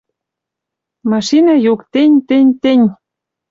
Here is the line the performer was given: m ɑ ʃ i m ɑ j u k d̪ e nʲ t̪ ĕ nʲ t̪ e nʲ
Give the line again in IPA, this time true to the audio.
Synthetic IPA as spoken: m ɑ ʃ i n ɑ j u k t̪ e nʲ t̪ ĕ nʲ t̪ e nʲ